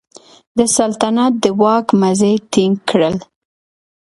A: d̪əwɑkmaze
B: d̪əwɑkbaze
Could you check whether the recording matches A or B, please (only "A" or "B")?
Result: A